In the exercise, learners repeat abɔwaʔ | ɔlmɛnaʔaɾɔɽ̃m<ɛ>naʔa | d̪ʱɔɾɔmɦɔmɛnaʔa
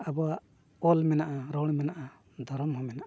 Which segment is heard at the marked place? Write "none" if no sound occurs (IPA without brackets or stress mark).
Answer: ɛ